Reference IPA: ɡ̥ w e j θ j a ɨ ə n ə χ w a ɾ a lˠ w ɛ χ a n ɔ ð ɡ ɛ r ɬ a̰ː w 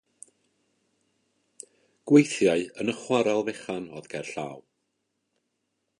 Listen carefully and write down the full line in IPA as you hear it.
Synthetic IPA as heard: ɡ̥ w e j θ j a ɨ ə n ə χ w a ɾ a lˠ v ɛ χ a n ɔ ð ɡ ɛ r ɬ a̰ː w